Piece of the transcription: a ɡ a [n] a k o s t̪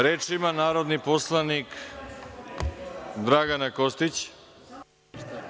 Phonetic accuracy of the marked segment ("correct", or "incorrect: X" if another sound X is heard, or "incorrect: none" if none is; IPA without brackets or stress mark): correct